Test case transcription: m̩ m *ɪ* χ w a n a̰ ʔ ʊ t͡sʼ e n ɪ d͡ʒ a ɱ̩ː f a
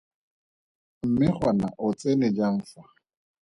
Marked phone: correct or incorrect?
correct